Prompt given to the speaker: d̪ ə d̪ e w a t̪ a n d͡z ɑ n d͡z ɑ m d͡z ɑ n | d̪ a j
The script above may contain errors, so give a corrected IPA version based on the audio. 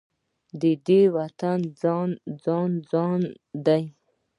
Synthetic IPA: d̪ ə d̪ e w a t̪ a n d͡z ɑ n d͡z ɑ n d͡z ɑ n | d̪ a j